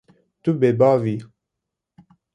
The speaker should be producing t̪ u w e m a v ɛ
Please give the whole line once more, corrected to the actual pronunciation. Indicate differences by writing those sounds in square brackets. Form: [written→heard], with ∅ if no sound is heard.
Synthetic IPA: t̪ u [w→b] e [m→b] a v [ɛ→i]